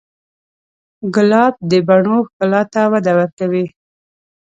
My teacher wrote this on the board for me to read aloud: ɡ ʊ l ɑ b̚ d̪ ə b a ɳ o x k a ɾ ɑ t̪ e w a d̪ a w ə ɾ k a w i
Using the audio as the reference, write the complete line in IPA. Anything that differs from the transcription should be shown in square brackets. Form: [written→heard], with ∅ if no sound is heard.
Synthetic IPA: ɡ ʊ l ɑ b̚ d̪ ə b a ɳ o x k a [ɾ→l] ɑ t̪ [e→a] w a d̪ a w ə ɾ k a w i